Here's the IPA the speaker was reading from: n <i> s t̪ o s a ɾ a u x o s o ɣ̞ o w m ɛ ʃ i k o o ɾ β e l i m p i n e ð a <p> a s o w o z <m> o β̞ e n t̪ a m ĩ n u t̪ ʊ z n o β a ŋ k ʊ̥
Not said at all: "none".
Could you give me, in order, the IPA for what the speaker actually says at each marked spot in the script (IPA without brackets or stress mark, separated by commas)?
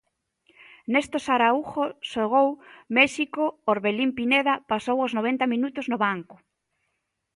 e, p, n